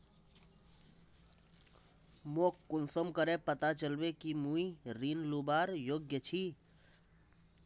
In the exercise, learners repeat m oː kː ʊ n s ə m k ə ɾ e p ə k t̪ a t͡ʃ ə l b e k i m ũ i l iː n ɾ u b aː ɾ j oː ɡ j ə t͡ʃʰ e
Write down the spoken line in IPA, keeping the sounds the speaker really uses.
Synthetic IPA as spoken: m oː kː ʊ n s ə m k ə ɾ e p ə t̪ a t͡ʃ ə l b e k i m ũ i ɾ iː n l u b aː ɾ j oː ɡ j ə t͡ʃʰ i